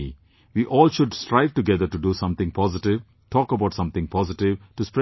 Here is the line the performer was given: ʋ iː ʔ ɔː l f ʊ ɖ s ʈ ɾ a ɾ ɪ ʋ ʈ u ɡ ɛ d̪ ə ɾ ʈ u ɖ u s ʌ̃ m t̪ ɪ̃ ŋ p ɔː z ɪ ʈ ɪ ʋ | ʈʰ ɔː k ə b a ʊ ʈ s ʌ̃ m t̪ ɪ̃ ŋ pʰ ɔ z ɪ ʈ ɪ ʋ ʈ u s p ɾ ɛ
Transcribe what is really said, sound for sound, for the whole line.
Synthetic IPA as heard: ʋ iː ʔ ɔː l ʃ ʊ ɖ s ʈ ɾ a ɪ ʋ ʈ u ɡ ɛ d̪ ə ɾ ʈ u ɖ u s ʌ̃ m t̪ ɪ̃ ŋ p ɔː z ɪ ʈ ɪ ʋ | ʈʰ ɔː k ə b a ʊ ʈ s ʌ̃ m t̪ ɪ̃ ŋ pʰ ɔ z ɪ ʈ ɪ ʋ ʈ u s p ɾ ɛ